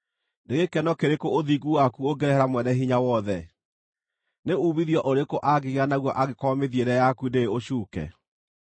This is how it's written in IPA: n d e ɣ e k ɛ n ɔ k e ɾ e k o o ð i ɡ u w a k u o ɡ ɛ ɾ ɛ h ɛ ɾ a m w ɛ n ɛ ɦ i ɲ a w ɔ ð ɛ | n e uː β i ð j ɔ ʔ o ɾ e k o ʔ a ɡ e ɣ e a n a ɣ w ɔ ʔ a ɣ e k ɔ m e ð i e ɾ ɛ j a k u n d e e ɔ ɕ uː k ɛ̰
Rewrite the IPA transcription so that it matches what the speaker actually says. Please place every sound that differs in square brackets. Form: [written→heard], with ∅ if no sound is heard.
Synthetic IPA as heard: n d e ɣ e k ɛ n ɔ k e ɾ e k o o ð i ɡ u w a k u o ɡ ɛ ɾ ɛ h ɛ ɾ a m w ɛ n ɛ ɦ i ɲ a w ɔ ð ɛ | n e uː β i ð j ɔ ʔ o ɾ e k o ʔ a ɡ e ɣ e a n a ɣ w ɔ ʔ a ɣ e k ɔ m e ð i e ɾ ɛ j a k u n d e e [ɔ→o] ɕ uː k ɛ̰